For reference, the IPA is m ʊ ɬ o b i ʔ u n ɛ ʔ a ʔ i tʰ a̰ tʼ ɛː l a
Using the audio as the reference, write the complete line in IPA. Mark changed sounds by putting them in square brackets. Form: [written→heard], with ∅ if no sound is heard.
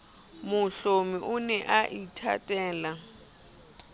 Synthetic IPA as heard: m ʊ ɬ o [b→m] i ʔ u n ɛ ʔ a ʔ i tʰ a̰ tʼ ɛː l a

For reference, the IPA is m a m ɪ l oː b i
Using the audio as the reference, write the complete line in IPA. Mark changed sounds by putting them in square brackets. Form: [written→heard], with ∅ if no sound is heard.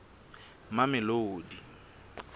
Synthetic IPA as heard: m a m ɪ l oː [b→d] i

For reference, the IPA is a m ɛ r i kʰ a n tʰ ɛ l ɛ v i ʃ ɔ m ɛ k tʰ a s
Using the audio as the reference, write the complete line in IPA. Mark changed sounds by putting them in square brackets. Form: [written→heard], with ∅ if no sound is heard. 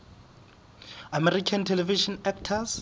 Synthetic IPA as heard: a m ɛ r i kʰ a n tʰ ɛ l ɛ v i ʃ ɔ [m→n] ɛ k tʰ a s

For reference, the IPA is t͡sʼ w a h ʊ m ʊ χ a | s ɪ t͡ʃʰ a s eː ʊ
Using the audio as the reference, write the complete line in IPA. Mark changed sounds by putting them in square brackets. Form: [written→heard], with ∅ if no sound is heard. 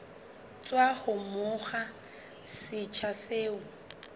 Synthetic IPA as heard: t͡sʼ w a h ʊ m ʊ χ a | s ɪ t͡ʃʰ a s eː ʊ

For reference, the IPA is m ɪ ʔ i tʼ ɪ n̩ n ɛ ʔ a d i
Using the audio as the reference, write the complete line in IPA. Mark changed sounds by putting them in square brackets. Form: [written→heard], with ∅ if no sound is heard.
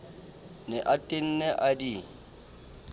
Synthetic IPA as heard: [m→n] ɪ ʔ [i→a] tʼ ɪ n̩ n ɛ ʔ a d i

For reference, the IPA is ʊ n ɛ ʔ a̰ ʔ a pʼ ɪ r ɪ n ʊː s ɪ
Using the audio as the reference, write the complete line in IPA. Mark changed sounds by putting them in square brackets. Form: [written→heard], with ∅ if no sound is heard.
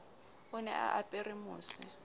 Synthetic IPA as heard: ʊ n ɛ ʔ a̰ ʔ a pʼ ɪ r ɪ [n→m] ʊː s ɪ

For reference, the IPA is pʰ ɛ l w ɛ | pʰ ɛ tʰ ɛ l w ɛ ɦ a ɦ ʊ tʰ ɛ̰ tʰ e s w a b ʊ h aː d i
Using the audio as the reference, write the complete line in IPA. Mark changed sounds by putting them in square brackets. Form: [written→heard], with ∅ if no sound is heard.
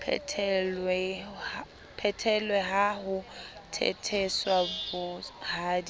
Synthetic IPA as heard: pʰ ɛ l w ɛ | pʰ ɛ tʰ ɛ l w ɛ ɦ a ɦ ʊ tʰ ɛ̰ tʰ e s w a b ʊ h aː d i

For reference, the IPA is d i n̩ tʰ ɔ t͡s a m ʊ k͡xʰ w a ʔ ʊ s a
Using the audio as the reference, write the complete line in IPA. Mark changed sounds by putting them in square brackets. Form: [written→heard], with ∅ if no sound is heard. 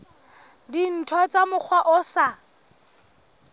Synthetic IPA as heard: d i n̩ tʰ ɔ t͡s a m ʊ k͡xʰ w a ʔ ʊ s a

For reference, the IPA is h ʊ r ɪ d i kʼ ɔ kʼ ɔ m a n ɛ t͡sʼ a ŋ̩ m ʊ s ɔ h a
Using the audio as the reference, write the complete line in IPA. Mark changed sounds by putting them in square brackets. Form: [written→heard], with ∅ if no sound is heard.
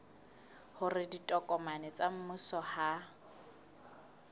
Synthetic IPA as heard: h ʊ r ɪ d i [kʼ→tʼ] ɔ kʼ ɔ m a n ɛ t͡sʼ a [ŋ̩→m̩] m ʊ s ɔ h a

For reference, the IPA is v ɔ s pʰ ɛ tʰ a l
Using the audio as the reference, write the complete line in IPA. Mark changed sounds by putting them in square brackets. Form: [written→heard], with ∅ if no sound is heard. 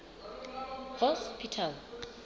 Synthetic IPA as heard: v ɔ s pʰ [ɛ→i] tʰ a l

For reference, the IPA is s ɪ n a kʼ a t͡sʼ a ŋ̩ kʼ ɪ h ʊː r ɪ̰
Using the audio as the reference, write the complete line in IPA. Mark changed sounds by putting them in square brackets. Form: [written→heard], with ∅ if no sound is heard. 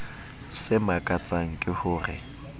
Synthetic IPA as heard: s ɪ [n→m] a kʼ a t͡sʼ a ŋ̩ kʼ ɪ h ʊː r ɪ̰

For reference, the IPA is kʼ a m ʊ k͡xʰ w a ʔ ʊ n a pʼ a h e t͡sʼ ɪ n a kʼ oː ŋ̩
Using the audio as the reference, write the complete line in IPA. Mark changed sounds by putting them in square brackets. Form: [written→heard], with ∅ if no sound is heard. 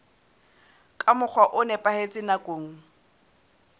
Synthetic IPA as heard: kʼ a m ʊ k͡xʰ w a ʔ ʊ n [a→ɛ] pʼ a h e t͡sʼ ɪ n a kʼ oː ŋ̩

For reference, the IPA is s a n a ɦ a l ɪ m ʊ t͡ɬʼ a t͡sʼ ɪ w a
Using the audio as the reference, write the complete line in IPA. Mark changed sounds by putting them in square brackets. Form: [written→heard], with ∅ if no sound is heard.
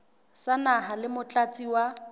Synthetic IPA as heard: s a n a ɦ a l ɪ m ʊ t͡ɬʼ a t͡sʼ [ɪ→i] w a

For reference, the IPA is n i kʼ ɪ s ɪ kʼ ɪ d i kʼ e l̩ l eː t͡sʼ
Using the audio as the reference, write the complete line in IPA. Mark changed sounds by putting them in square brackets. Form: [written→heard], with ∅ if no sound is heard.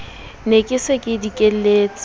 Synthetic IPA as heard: n [i→e] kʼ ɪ s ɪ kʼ ɪ d i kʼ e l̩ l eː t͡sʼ

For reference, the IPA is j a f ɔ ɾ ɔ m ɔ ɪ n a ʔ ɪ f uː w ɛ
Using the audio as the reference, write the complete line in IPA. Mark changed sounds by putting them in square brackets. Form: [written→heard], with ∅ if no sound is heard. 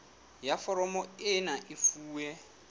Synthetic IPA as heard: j a f ɔ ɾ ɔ m ɔ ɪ n a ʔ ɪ f uː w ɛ

